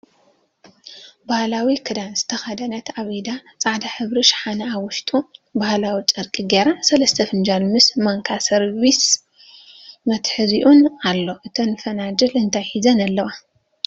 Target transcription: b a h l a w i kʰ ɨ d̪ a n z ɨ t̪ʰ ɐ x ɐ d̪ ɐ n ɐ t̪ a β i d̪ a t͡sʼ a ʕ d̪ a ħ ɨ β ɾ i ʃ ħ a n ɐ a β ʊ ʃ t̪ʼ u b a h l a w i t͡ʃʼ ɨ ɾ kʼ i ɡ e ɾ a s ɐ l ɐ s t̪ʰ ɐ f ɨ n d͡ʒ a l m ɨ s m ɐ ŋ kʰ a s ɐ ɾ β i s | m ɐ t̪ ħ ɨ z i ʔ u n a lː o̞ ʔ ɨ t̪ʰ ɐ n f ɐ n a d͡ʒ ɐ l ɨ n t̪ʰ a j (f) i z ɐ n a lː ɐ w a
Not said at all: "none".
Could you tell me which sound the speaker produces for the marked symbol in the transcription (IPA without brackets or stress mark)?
ħ